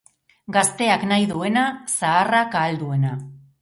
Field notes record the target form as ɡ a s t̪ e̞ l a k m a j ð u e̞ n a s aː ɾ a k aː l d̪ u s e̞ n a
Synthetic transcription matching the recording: ɡ a s t̪ e̞ a k n a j ð u e̞ n a s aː r a k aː l d̪ u e̞ n a